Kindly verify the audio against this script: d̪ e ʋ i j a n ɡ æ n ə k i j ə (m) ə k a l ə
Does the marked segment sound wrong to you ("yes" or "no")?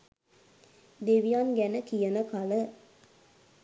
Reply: yes